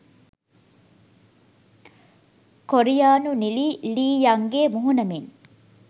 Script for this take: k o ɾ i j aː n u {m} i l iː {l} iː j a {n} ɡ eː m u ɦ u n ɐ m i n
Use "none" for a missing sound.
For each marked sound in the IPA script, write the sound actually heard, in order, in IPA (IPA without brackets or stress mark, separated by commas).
n, l, ŋ